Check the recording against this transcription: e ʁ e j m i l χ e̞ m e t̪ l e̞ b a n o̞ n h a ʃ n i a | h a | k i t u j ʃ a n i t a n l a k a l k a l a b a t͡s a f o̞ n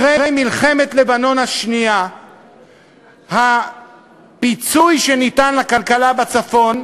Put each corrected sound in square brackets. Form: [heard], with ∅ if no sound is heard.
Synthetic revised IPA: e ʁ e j m i l χ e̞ m e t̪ l e̞ b a n o̞ n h a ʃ n i a | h a | [p] i [t͡s] u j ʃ [e] n i t a n l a k a l k a l a b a t͡s a f o̞ n